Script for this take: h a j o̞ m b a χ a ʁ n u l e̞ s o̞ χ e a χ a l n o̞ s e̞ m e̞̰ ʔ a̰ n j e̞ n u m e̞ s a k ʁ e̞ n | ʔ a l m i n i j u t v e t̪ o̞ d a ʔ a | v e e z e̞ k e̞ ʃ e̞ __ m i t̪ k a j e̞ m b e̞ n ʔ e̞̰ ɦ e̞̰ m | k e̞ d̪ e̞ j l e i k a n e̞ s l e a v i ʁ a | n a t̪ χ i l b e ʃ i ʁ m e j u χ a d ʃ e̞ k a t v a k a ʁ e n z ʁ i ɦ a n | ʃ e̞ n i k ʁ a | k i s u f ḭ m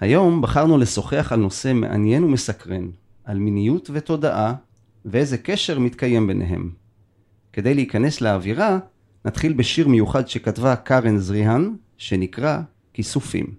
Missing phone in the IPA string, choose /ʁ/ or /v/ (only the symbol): ʁ